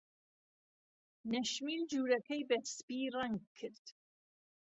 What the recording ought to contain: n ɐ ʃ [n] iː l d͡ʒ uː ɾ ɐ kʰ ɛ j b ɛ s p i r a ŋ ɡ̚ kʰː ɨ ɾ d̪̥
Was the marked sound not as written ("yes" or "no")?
yes